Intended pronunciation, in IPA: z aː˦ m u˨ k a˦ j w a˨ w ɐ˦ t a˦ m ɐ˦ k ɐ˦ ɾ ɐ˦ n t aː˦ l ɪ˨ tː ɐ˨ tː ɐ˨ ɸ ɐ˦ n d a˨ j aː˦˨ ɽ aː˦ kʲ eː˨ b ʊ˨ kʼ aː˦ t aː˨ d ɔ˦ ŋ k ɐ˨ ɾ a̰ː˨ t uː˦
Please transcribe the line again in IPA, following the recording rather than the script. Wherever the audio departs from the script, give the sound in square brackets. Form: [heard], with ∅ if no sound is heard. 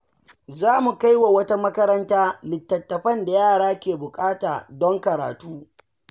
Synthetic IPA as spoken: z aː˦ m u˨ k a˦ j w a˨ w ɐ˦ t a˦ m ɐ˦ k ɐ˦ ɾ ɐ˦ n t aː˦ l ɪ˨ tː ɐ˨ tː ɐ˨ ɸ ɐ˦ n d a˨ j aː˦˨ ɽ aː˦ kʲ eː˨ b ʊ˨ kʼ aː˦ t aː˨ d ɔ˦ ŋ k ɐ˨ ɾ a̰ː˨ t uː˦

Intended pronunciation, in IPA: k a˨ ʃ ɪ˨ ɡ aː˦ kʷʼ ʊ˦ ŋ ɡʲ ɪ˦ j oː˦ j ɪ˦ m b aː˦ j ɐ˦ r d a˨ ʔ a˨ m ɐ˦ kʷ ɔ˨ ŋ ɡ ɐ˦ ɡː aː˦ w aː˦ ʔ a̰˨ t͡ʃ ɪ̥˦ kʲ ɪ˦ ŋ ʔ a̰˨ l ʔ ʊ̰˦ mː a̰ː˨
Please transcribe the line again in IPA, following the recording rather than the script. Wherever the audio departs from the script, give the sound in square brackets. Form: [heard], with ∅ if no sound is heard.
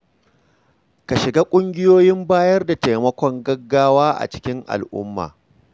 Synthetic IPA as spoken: k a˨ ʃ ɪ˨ ɡ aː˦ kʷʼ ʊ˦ ŋ ɡʲ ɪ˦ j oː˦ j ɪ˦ m b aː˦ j ɐ˦ r d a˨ [t] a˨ m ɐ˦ kʷ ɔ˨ ŋ ɡ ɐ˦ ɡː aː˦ w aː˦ ʔ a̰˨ t͡ʃ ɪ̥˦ kʲ ɪ˦ ŋ ʔ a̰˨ l ʔ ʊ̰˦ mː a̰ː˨

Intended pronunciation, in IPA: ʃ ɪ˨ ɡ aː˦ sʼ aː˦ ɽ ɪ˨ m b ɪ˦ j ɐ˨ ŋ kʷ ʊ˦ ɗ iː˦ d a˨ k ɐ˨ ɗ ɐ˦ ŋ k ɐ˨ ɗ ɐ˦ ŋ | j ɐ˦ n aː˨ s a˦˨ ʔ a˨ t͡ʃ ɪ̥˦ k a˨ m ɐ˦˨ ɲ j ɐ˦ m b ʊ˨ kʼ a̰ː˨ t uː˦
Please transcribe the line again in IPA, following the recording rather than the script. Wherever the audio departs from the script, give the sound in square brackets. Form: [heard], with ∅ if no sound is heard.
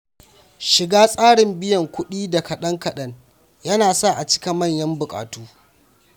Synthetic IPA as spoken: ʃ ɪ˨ ɡ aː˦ sʼ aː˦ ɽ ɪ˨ m b ɪ˦ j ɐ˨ ŋ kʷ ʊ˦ ɗ iː˦ d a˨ k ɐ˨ ɗ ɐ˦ ŋ k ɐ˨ ɗ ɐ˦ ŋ | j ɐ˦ n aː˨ s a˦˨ ʔ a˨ t͡ʃ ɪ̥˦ k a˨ m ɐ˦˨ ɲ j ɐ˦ m b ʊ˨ kʼ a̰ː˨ t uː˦

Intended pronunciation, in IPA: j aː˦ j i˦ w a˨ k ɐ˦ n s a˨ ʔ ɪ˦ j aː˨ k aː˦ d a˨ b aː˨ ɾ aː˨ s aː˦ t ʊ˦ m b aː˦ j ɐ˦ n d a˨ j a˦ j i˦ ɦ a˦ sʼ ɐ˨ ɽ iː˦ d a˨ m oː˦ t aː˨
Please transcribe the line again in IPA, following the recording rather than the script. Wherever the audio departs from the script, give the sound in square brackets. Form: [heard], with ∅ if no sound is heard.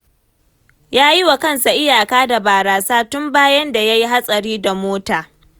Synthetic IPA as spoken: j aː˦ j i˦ w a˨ k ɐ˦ n s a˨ ʔ ɪ˦ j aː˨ k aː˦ d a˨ b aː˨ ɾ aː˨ s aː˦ t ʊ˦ m b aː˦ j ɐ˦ n d a˨ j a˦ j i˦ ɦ a˦ sʼ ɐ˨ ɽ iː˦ d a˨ m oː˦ t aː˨

